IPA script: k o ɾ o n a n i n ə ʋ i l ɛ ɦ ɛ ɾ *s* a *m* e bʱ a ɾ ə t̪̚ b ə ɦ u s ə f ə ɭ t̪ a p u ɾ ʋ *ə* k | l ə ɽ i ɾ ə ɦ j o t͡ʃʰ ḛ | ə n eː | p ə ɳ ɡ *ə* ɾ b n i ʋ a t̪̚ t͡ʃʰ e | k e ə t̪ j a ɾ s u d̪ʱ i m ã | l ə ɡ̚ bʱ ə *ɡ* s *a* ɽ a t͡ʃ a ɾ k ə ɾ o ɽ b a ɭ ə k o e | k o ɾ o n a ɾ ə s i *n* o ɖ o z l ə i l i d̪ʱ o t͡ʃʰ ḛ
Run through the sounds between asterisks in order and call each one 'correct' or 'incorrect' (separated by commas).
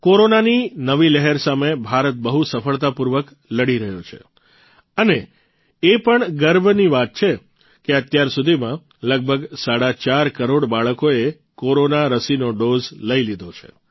correct, correct, correct, correct, correct, correct, correct